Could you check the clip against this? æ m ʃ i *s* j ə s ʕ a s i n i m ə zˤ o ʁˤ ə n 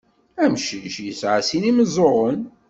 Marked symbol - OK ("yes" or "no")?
no